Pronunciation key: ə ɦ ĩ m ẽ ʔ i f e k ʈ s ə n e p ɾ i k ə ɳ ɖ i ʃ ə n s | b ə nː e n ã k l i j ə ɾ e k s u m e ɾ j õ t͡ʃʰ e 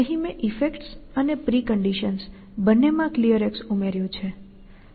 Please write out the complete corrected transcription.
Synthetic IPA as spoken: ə ɦ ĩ m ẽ ʔ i f e k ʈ s ə n e p ɾ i k ə ɳ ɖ i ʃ ə n s | b ə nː e m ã k l i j ə ɾ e k s u m e ɾ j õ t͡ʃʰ e